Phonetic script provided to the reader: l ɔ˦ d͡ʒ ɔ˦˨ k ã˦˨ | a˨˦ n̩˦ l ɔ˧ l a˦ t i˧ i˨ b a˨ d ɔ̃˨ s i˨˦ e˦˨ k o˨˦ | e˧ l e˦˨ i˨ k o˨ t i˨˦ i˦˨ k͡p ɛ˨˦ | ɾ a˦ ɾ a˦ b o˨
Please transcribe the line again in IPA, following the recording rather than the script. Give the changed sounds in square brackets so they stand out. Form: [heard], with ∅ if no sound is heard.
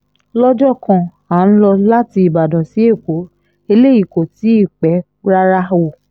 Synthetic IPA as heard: l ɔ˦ d͡ʒ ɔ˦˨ k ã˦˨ | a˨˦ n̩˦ l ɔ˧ l a˦ t i˧ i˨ b a˨ d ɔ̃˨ s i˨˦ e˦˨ k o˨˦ | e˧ l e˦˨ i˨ k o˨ t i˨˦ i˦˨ k͡p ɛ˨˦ | ɾ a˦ ɾ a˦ [w] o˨